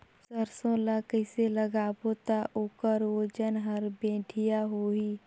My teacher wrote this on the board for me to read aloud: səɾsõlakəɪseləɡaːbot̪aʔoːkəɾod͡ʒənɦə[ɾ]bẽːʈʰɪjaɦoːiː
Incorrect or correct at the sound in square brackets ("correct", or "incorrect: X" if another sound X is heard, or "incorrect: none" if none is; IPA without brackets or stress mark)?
correct